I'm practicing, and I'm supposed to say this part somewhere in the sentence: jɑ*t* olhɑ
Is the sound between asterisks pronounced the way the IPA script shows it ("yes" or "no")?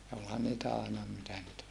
no